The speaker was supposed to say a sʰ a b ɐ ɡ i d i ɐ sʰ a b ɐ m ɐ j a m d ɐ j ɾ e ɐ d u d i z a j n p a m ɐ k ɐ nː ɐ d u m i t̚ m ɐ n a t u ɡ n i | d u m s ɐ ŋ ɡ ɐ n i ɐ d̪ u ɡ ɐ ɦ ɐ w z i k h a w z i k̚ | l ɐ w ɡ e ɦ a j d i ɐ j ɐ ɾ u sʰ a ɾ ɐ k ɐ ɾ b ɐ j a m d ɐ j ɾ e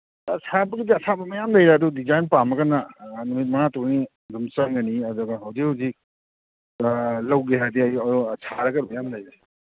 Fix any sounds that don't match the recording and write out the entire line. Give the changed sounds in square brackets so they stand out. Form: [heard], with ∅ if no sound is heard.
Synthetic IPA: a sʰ a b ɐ ɡ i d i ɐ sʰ a b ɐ m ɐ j a m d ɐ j ɾ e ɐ d u d i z a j n p a m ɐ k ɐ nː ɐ [n] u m i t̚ m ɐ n a t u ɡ n i | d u m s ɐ ŋ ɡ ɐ n i ɐ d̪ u ɡ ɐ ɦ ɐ w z i k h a w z i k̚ | l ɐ w ɡ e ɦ a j d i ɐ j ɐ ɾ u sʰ a ɾ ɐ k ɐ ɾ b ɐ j a m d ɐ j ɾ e